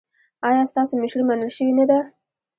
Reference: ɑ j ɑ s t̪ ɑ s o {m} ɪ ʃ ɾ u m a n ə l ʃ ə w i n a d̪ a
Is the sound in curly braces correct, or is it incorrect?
correct